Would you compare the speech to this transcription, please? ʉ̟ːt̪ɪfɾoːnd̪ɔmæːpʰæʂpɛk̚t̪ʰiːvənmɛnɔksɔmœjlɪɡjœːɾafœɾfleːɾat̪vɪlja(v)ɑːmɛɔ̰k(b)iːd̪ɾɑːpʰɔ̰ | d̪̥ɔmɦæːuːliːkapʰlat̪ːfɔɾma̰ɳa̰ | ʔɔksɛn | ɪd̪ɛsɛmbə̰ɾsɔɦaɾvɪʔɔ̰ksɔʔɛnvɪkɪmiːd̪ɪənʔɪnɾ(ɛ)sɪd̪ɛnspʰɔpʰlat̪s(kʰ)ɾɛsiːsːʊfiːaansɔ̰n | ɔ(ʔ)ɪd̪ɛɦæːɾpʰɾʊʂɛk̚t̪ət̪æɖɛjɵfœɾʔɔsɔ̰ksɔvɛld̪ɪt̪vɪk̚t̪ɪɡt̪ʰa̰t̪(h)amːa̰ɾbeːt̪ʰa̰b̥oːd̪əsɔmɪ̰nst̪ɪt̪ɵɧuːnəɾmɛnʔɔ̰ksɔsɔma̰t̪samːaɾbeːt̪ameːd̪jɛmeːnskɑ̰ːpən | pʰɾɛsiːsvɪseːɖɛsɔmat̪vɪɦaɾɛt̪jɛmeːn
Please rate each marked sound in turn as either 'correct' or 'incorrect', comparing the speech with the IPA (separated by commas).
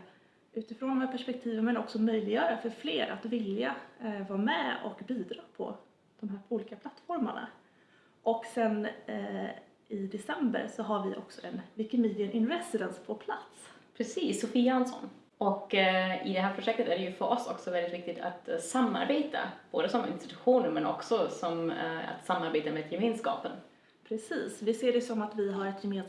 correct, correct, correct, incorrect, incorrect, incorrect